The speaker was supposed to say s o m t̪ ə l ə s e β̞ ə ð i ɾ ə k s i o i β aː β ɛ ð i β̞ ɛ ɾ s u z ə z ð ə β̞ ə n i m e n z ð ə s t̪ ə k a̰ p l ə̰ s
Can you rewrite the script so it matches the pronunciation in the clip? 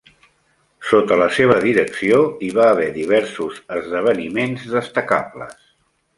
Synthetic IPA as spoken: s o t̪ ə l ə s e β̞ ə ð i ɾ ə k s i o i β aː β ɛ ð i β̞ ɛ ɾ s u z ə z ð ə β̞ ə n i m e n z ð ə s t̪ ə k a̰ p l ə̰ s